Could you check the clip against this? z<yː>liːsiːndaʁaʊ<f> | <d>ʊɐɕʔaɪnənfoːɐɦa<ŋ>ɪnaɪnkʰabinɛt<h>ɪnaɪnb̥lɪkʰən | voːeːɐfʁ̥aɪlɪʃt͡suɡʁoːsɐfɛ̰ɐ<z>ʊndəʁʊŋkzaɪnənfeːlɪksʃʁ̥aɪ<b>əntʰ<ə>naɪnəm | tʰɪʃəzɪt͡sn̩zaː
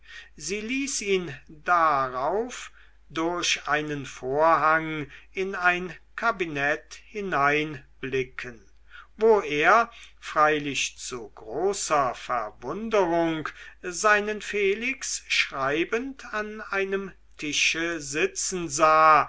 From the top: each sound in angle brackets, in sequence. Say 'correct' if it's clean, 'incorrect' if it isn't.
incorrect, correct, correct, correct, correct, incorrect, correct, incorrect

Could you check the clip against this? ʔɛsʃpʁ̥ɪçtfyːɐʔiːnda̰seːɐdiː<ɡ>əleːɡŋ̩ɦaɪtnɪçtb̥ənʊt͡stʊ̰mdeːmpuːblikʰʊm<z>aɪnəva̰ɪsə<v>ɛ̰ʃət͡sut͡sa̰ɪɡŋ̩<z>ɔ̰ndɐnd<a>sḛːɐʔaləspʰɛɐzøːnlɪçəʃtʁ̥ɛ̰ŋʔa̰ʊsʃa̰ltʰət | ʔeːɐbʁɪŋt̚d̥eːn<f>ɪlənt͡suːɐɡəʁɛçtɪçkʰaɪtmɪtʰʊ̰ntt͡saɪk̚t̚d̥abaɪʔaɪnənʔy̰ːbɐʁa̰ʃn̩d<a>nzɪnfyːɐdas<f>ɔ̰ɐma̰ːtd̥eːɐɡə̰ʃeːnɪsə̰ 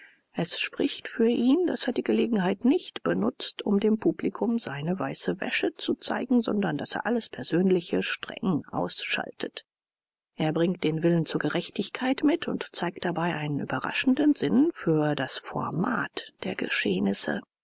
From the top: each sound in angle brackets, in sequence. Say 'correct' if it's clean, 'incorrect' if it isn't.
correct, correct, correct, correct, correct, incorrect, incorrect, correct

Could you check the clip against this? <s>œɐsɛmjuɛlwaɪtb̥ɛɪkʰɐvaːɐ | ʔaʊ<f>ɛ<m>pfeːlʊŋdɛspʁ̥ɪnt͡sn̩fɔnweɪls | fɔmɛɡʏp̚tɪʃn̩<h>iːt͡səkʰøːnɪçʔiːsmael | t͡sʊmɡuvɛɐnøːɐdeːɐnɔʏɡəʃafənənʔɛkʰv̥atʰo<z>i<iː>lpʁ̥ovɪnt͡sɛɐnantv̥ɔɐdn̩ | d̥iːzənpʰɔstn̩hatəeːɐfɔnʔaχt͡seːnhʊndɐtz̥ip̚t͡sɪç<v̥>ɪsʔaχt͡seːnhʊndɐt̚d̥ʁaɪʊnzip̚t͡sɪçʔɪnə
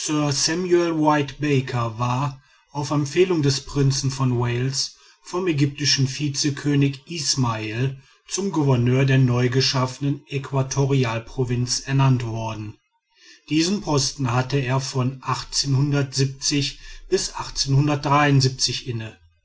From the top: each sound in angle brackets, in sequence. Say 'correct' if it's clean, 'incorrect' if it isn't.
correct, correct, correct, incorrect, incorrect, incorrect, incorrect

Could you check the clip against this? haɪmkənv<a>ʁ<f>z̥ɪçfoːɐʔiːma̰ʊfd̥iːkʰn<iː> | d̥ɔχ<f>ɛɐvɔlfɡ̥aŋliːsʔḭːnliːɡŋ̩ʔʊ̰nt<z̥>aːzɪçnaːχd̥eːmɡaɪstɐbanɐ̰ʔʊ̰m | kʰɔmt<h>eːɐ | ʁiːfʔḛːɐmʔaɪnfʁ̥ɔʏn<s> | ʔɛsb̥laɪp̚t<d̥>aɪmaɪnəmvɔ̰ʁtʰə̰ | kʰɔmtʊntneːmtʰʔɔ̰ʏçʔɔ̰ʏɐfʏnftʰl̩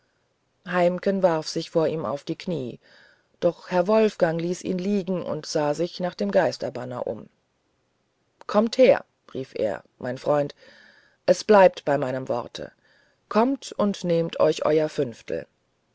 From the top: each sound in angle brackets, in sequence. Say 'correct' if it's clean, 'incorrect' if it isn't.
correct, correct, correct, incorrect, correct, correct, incorrect, incorrect

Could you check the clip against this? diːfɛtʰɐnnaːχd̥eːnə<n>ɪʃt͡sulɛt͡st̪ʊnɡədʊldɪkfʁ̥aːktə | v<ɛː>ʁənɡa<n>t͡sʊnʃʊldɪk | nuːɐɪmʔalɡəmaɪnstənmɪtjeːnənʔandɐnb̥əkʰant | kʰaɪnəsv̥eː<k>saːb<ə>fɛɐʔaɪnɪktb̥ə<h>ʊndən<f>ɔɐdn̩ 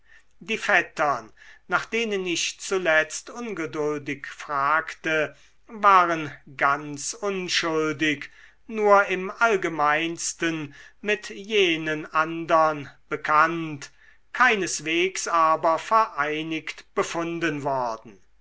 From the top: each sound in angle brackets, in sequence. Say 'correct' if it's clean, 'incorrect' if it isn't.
correct, incorrect, correct, correct, incorrect, incorrect, incorrect

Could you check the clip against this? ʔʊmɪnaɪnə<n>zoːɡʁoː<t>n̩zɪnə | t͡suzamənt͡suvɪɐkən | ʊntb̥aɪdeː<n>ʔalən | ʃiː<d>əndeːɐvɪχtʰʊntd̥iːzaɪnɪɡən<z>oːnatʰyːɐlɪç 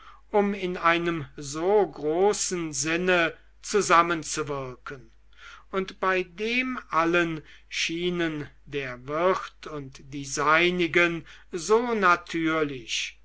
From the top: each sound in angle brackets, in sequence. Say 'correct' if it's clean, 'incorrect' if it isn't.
incorrect, incorrect, incorrect, incorrect, correct

